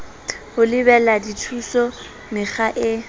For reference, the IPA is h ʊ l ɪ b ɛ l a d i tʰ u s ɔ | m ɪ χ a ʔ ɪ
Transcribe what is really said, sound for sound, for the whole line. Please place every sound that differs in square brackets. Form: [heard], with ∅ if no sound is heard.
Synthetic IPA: h ʊ l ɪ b ɛ l a d i tʰ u s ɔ | m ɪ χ a ʔ ɪ